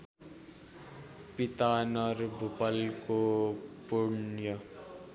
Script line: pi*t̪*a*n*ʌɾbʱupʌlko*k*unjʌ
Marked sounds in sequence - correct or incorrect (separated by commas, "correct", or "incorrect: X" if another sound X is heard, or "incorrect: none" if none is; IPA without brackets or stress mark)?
correct, correct, incorrect: p